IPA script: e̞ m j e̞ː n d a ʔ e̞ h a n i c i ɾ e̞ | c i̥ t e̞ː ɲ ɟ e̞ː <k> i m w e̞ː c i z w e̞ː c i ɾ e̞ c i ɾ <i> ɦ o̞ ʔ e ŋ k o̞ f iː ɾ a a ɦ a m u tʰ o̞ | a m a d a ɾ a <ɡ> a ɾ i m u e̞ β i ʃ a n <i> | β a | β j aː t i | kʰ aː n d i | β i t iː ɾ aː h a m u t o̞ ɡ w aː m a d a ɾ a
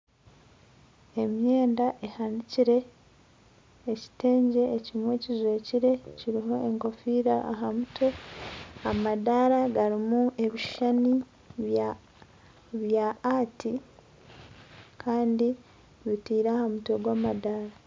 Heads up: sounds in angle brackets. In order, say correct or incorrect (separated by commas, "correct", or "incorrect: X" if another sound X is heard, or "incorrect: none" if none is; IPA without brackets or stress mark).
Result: incorrect: c, correct, correct, correct